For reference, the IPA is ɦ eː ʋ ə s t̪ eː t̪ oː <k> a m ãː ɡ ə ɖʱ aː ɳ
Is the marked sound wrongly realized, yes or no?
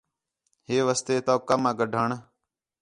no